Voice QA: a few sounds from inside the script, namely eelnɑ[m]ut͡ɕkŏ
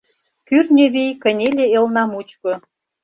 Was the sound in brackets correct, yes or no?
yes